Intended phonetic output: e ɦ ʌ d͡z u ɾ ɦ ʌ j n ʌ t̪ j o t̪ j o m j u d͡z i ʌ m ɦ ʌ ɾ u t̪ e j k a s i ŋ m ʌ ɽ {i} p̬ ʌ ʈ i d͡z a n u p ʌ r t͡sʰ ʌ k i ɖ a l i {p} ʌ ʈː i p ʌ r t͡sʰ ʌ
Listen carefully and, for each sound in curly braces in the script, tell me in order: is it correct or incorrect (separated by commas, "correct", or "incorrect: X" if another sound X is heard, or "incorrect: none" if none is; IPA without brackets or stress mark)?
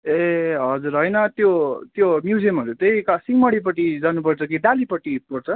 correct, correct